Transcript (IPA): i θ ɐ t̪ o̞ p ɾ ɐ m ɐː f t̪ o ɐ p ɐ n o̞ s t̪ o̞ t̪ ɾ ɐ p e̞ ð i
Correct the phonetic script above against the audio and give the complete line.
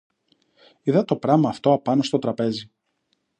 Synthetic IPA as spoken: i ð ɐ t̪ o̞ p ɾ ɐ m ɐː f t̪ o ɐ p ɐ n o̞ s t̪ o̞ t̪ ɾ ɐ p e̞ z i